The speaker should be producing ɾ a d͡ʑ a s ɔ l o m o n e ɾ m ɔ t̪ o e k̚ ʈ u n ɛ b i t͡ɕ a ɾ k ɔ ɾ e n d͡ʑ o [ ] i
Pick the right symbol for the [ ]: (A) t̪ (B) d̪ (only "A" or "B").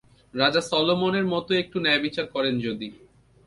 B